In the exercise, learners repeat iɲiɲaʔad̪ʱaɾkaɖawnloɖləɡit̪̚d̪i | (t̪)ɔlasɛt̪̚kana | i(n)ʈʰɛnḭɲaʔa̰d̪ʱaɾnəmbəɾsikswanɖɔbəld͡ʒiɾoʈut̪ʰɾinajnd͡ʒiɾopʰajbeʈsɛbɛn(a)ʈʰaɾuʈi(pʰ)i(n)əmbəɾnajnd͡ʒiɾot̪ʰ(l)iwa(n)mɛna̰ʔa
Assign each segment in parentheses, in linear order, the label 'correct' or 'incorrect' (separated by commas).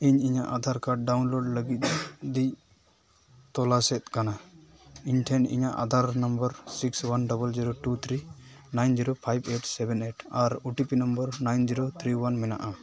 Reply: correct, incorrect, incorrect, incorrect, correct, incorrect, correct